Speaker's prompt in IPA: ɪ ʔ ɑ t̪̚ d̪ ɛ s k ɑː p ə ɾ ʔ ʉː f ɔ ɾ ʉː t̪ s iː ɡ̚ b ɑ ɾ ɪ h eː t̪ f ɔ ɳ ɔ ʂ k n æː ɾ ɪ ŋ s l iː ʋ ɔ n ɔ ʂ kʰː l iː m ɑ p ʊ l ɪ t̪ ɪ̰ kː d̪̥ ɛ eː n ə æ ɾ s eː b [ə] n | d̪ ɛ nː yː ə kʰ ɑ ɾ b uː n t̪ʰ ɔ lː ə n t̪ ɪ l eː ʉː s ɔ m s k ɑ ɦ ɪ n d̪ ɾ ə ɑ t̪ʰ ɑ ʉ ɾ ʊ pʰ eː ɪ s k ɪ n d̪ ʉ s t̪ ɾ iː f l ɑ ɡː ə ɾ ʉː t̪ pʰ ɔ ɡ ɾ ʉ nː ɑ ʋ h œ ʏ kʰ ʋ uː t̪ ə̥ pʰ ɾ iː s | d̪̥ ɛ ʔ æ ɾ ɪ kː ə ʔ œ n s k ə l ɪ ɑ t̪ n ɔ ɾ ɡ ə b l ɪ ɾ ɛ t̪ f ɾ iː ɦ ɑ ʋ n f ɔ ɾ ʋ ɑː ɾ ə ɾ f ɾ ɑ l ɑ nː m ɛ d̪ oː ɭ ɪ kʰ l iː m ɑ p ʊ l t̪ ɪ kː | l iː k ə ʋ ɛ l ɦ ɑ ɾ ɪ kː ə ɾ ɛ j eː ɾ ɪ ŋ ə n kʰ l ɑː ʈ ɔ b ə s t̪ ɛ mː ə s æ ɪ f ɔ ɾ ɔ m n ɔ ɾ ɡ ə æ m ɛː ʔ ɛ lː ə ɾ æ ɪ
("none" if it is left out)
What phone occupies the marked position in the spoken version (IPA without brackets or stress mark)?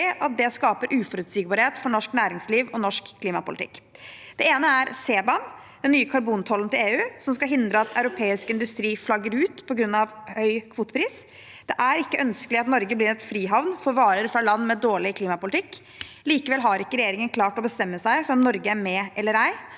ɑ